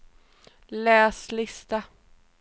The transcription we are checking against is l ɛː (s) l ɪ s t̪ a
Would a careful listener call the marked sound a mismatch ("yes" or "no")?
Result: no